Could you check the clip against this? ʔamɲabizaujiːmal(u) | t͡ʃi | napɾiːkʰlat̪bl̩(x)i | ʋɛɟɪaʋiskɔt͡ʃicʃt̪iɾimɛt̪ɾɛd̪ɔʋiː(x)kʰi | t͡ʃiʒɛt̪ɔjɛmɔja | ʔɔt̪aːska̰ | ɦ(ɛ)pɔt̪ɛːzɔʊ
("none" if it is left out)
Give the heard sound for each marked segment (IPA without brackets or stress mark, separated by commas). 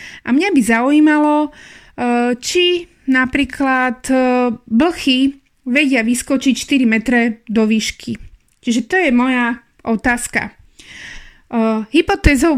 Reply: ɔ, x, ʃ, i